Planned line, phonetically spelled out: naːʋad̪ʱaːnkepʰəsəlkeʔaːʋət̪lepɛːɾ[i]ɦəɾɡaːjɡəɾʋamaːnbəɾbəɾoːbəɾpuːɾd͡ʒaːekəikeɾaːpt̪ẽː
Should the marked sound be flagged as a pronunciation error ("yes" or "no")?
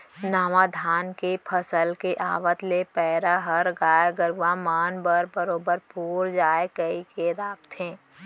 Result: yes